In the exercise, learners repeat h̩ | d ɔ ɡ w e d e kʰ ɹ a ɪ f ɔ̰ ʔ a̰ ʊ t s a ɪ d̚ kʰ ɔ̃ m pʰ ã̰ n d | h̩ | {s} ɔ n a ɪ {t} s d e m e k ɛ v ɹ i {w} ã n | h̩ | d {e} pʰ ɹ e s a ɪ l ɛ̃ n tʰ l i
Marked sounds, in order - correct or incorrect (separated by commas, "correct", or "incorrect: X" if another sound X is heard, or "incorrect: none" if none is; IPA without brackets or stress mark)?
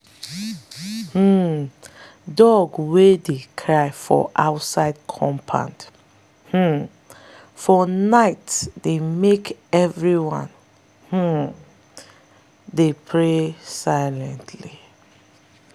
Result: incorrect: f, correct, correct, correct